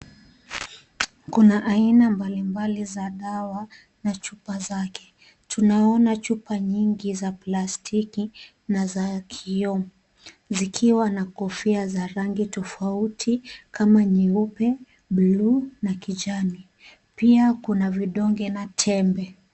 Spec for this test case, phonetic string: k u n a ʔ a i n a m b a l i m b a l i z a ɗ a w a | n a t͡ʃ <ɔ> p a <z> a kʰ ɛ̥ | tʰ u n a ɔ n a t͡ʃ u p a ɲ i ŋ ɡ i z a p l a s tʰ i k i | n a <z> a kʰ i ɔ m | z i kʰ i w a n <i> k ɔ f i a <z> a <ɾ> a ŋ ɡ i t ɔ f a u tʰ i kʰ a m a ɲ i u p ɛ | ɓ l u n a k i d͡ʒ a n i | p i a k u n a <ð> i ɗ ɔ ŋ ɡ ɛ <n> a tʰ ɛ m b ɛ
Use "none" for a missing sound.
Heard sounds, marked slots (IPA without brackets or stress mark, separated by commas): u, z, z, a, z, ɾ, v, n